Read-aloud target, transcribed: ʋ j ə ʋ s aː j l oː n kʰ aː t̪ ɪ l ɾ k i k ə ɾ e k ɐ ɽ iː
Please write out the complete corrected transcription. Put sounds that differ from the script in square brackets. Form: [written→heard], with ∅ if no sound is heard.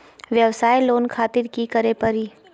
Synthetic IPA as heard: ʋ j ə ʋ s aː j l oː n kʰ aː t̪ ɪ [l→∅] ɾ k i k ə ɾ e [k→p] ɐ [ɽ→ɾ] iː